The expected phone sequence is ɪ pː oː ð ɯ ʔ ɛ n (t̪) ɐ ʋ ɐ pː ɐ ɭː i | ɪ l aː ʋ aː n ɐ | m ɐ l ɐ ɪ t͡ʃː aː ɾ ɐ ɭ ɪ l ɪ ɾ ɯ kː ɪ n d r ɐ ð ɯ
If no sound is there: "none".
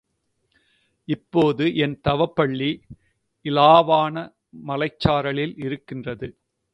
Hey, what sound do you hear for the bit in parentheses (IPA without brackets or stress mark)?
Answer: t̪